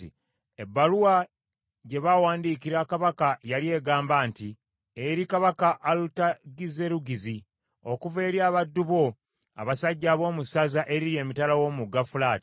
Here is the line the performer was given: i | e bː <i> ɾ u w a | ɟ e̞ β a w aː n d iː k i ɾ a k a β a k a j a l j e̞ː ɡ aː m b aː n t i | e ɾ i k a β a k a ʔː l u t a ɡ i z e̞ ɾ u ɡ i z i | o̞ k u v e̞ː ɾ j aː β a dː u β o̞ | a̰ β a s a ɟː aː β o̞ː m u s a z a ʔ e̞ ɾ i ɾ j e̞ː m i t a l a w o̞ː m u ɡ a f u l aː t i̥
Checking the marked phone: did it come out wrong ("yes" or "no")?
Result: yes